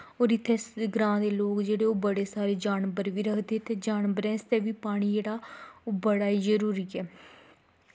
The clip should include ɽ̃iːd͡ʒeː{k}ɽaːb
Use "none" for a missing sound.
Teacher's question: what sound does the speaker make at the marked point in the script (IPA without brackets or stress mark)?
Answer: none